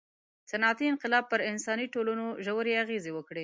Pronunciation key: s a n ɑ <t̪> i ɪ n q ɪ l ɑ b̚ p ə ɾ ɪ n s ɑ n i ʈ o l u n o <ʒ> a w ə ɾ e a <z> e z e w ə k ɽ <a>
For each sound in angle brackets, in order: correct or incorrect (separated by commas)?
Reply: correct, correct, incorrect, incorrect